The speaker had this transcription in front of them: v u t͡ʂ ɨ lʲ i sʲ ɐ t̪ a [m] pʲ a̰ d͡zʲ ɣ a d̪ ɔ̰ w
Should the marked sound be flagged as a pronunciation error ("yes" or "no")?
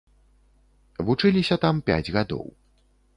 no